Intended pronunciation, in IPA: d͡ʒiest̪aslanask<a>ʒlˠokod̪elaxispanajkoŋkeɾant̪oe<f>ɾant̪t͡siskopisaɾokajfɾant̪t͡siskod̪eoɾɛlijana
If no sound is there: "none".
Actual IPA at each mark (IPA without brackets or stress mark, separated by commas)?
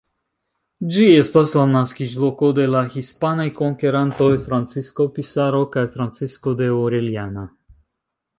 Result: i, f